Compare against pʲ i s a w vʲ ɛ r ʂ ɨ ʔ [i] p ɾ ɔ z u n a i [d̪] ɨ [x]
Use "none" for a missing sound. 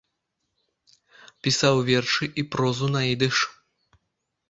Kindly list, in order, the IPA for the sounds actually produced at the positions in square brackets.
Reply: i, d̪, ʂ

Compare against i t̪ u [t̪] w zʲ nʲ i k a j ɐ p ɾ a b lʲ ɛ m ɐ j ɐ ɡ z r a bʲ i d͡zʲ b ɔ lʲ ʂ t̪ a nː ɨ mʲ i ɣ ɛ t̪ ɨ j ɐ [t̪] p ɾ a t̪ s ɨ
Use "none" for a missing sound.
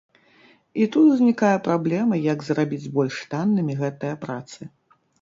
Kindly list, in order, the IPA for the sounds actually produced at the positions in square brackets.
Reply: t̪, none

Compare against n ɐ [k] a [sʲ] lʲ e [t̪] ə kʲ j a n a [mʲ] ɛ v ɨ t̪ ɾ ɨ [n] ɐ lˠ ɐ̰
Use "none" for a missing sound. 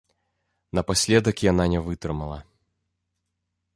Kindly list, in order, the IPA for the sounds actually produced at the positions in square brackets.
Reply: p, sʲ, d̪, nʲ, m

